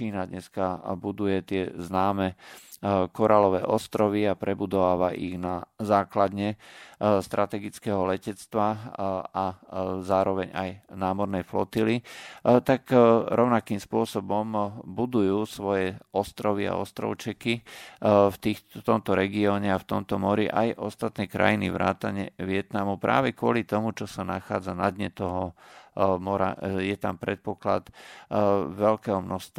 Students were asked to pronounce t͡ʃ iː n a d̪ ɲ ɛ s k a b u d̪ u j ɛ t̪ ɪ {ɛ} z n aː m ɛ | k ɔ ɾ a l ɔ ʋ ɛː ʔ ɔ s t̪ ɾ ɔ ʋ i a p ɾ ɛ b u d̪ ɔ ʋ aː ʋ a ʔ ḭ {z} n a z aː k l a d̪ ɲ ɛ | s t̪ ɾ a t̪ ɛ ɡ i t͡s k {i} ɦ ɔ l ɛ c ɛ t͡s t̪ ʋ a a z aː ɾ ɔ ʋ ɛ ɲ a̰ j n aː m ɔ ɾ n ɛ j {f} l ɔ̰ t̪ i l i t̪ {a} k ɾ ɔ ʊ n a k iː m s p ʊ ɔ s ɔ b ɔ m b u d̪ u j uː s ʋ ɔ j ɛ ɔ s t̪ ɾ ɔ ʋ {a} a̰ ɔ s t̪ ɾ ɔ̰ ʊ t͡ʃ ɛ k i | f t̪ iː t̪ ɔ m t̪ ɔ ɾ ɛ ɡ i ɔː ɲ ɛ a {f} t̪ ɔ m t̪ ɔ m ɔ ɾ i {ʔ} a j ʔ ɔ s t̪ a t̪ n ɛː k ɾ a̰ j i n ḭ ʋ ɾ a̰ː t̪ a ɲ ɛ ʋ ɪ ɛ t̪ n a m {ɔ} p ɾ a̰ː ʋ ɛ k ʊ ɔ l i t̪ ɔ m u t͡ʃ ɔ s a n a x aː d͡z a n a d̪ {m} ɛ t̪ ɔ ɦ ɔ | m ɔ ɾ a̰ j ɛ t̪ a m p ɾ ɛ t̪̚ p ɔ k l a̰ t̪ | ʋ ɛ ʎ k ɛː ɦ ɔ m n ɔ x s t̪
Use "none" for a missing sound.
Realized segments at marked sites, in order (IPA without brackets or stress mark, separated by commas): ɛ, ɣ, ɛ, f, a, i, f, ʔ, u, ɲ